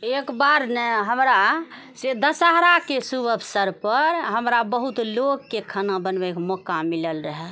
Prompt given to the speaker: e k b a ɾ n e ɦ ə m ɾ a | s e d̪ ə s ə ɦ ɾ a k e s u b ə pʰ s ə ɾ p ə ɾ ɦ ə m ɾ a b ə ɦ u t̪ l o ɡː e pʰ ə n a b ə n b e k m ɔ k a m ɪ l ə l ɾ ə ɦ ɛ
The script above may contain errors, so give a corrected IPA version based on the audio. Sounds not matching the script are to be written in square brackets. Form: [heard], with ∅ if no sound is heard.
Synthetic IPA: e k b a ɾ n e ɦ ə m ɾ a | s e d̪ ə s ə ɦ ɾ a k e s u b ə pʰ s ə ɾ p ə ɾ ɦ ə m ɾ a b ə ɦ u t̪ l o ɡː e [kʰ] ə n a b ə n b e k m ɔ k a m [i] l ə l ɾ ə ɦ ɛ